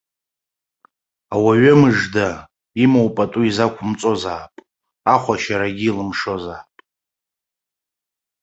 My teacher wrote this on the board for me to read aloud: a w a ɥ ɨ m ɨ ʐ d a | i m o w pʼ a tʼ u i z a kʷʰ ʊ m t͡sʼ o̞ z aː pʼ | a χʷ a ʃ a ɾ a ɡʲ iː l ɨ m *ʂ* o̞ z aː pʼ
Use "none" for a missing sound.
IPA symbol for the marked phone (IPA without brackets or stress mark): ʂ